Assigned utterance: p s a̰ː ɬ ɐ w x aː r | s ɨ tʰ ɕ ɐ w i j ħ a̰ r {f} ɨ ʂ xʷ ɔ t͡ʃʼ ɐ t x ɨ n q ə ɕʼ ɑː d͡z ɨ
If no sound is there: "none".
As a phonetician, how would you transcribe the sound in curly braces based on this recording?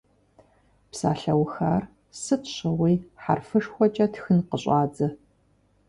f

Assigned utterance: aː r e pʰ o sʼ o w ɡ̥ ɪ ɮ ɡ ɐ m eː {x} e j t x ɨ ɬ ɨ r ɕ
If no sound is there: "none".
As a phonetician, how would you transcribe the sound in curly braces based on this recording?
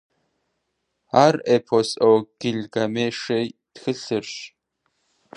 ʂ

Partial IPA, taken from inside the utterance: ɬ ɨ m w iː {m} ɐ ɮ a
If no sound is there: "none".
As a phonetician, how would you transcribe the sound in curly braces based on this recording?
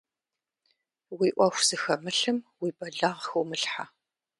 b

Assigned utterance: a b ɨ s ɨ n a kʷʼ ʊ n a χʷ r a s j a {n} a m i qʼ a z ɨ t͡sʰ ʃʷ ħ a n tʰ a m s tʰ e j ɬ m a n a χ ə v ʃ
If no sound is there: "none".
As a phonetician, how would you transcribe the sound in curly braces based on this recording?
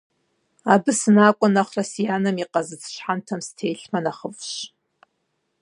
n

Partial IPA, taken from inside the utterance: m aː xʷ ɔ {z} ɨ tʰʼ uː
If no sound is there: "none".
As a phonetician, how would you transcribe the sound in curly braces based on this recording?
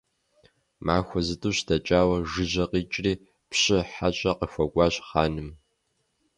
z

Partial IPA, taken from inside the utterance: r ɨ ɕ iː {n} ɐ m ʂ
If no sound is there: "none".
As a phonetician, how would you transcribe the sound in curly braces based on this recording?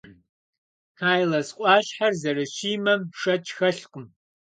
m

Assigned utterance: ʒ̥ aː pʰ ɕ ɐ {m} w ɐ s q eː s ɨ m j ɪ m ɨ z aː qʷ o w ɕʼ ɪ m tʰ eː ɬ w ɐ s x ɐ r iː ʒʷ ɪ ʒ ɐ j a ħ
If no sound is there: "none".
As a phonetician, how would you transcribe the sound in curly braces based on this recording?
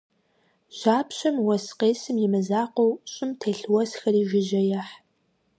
m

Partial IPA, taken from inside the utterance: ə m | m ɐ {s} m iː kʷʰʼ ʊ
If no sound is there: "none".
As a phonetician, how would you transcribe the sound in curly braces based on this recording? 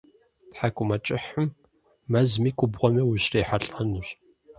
z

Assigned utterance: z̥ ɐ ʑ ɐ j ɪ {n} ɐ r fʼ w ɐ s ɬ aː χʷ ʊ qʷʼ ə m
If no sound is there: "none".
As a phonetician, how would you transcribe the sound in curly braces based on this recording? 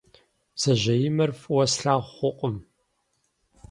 m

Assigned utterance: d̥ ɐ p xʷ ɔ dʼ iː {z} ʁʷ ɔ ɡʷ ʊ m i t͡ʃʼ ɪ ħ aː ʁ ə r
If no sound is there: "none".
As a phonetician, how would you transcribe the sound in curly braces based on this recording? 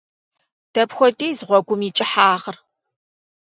z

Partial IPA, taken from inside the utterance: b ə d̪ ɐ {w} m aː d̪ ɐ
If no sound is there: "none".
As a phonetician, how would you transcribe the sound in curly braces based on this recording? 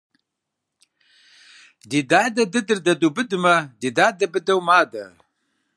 w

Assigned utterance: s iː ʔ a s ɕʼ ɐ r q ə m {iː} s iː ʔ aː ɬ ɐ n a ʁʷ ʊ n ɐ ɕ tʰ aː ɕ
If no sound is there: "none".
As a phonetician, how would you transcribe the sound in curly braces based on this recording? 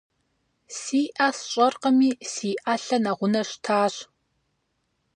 iː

